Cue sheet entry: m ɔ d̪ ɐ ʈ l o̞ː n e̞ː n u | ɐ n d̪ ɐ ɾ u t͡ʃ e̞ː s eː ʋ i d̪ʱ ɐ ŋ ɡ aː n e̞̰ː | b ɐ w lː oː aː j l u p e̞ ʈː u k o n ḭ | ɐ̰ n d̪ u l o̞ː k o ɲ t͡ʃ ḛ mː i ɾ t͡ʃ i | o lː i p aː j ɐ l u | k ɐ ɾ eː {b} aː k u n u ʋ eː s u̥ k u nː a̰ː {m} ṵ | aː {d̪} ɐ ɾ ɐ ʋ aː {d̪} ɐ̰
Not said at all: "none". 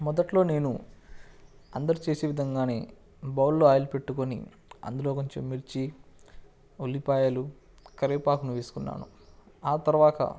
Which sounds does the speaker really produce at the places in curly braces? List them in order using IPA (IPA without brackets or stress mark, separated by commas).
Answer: p, n, t̪, t̪